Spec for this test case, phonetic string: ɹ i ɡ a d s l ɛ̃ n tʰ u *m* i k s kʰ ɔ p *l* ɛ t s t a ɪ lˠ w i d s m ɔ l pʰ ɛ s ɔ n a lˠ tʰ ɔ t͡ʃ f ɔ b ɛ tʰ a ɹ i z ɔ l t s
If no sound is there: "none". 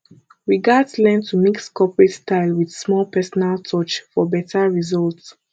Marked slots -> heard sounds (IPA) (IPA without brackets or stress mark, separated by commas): m, ɹ